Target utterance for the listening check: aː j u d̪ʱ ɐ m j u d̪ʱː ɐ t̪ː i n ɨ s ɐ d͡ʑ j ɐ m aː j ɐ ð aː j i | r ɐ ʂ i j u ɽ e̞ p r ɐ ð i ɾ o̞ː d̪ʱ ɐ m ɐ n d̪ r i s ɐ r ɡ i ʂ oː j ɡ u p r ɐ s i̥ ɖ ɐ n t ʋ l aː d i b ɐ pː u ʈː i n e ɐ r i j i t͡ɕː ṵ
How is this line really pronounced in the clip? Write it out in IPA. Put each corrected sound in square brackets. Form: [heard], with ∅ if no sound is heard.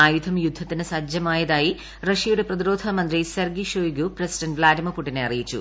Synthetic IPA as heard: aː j u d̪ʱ ɐ m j u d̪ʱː ɐ t̪ː i n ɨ s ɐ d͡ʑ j ɐ m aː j ɐ ð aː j i | r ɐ ʂ i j u ɽ e̞ p r ɐ ð i ɾ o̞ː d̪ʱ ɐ m ɐ n d̪ r i s ɐ r ɡ i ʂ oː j ɡ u p r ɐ s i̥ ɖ ɐ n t ʋ l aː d i [m] ɐ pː u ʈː i n e ɐ r i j i t͡ɕː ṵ

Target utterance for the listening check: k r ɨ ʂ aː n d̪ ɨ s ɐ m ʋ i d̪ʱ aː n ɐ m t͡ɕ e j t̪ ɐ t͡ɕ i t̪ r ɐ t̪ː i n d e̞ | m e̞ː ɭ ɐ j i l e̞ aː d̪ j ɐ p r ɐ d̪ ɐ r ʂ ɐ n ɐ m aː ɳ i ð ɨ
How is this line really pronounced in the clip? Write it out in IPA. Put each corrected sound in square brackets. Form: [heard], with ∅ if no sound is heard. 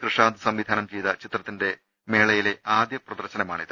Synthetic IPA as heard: k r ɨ ʂ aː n d̪ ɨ s ɐ m ʋ i d̪ʱ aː n ɐ m t͡ɕ e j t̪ ɐ t͡ɕ i t̪ r ɐ t̪ː i n d e̞ | m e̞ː ɭ ɐ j i l e̞ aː d̪ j ɐ p r ɐ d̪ ɐ r [ɕ] ɐ n ɐ m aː ɳ i ð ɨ

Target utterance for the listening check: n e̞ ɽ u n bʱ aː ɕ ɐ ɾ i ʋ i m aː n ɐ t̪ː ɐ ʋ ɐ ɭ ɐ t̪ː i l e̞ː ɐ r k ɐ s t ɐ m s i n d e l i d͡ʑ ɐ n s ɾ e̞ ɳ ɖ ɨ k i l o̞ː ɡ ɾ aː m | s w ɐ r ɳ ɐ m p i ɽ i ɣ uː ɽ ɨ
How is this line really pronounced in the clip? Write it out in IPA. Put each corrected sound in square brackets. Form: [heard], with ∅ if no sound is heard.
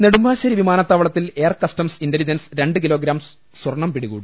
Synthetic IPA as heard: n e̞ ɽ u [m] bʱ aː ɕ ɐ ɾ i ʋ i m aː n ɐ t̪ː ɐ ʋ ɐ ɭ ɐ t̪ː i l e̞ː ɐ r k ɐ s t ɐ m s i n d e l i d͡ʑ ɐ n s ɾ e̞ ɳ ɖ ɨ k i l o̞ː ɡ ɾ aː m | s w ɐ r ɳ ɐ m p i ɽ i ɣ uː ɽ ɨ

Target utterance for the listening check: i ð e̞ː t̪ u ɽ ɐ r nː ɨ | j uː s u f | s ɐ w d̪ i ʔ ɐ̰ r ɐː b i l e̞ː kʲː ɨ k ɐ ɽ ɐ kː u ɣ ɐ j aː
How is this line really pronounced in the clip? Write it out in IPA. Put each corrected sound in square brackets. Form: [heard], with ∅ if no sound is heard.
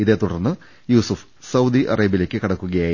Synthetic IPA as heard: i ð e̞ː t̪ u ɽ ɐ r nː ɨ | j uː s u f | s ɐ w d̪ i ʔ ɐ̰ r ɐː b i l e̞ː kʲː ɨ k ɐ ɽ ɐ kː u ɣ ɐ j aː

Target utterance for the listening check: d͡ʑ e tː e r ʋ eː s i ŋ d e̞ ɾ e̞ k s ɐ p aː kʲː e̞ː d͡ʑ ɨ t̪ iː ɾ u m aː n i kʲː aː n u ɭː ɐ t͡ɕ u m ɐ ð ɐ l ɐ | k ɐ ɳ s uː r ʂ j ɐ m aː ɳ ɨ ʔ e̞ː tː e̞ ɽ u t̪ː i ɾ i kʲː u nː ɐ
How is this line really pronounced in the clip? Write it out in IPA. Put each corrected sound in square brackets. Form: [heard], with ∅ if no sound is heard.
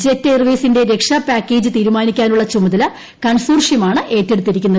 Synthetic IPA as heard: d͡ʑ e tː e r ʋ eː s i [n] d e̞ ɾ e̞ k [ʂ] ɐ p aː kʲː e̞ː d͡ʑ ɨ t̪ iː ɾ u m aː n i kʲː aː n u ɭː ɐ t͡ɕ u m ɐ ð ɐ l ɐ | k ɐ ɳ s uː r ʂ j ɐ m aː ɳ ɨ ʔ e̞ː tː e̞ ɽ u t̪ː i ɾ i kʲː u nː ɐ

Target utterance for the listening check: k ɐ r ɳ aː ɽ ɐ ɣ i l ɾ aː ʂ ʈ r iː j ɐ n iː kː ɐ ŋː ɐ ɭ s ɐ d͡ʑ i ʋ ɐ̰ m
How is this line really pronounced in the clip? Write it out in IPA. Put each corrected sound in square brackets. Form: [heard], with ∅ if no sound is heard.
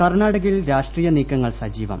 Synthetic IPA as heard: k ɐ r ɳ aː ɽ ɐ ɣ i l ɾ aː ʂ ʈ r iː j ɐ n iː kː ɐ ŋː ɐ ɭ s ɐ d͡ʑ [iː] ʋ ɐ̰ m

